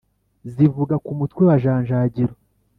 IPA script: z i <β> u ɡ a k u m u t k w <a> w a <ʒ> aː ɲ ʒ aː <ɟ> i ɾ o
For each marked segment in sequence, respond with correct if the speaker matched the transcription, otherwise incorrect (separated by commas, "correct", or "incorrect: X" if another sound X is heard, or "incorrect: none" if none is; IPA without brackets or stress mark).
incorrect: v, incorrect: e, correct, correct